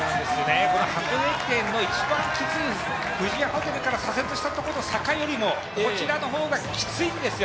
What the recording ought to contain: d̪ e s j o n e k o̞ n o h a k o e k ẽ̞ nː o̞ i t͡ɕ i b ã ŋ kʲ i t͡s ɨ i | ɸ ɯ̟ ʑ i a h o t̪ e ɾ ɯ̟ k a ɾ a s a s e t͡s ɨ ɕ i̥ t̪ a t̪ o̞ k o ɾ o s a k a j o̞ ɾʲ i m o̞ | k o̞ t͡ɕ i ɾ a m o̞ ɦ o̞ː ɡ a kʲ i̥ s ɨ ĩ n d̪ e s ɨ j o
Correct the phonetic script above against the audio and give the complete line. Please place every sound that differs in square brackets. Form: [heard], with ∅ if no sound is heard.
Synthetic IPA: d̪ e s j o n e k o̞ n o h a k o e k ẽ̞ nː o̞ i t͡ɕ i b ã ŋ kʲ i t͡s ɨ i | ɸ ɯ̟ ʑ i a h o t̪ e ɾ ɯ̟ k a ɾ a s a s e t͡s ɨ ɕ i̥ t̪ a t̪ o̞ k o ɾ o s a k a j o̞ ɾʲ i m o̞ | k o̞ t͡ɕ i ɾ a [n] o̞ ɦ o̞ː ɡ a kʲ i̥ [t͡s] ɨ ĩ n d̪ e s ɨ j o